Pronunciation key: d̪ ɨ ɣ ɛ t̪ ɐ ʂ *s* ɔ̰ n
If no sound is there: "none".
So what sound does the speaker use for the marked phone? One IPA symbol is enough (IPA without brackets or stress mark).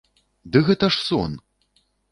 s